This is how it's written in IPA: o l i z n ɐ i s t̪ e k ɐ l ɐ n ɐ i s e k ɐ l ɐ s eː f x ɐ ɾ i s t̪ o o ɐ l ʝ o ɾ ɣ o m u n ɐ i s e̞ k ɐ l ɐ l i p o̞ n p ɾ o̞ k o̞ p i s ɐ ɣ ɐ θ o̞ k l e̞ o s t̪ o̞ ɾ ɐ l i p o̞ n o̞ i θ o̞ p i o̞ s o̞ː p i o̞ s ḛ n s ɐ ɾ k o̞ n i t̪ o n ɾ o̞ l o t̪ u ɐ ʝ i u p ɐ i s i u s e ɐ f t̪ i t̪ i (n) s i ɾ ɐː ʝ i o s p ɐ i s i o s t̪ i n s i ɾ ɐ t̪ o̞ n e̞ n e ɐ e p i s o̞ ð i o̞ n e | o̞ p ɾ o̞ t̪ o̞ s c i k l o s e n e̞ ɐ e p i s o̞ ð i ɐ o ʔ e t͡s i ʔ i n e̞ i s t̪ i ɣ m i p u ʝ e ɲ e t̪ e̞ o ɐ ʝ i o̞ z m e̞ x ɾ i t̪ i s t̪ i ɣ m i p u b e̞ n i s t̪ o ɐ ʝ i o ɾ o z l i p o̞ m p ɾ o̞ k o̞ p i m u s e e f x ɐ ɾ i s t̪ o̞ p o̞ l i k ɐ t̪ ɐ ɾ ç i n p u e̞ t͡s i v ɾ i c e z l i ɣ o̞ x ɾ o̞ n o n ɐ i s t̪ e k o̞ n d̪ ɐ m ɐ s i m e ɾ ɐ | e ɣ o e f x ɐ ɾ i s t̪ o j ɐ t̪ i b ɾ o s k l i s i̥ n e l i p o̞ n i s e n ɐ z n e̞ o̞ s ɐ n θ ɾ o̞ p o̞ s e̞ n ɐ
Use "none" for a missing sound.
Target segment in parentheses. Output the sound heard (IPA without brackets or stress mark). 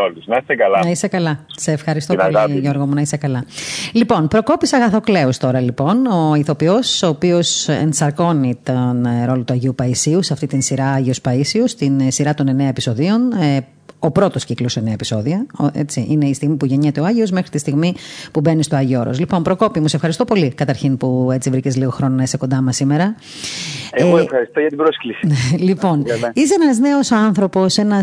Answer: n